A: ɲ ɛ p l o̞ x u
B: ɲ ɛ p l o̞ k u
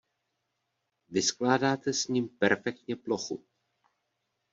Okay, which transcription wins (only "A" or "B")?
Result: A